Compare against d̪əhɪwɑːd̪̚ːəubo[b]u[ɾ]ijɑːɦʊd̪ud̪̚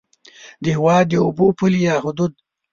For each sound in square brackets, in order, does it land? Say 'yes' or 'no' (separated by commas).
no, no